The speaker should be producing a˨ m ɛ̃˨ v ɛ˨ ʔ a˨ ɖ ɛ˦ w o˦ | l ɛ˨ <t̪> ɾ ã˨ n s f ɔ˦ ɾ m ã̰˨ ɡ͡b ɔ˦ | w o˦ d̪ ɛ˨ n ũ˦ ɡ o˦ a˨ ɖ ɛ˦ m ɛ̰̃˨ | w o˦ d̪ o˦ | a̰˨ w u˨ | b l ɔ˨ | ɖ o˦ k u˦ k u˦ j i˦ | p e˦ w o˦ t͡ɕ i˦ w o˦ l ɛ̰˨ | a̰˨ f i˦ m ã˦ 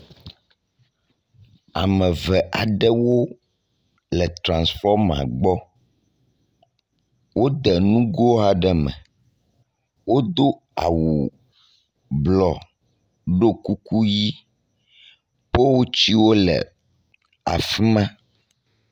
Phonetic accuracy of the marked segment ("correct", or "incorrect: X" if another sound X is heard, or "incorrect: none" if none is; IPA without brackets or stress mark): correct